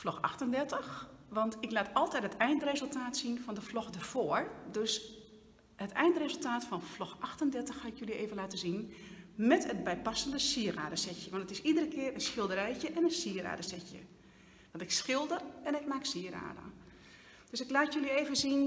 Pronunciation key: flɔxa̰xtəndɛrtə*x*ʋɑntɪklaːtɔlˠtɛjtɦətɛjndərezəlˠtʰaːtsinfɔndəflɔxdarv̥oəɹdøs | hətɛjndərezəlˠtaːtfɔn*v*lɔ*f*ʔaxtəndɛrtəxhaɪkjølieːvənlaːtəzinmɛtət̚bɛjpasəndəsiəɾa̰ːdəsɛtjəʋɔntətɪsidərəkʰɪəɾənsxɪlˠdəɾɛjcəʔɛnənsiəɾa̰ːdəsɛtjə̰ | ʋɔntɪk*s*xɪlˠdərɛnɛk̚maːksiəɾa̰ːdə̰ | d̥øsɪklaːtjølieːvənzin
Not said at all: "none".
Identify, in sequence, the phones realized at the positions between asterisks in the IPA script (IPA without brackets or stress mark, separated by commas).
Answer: x, f, x, s